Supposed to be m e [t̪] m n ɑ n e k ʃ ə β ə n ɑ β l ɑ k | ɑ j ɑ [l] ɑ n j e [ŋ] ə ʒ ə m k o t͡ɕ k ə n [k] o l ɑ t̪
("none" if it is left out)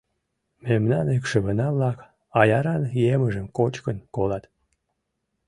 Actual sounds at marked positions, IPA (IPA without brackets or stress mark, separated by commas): none, ɾ, m, k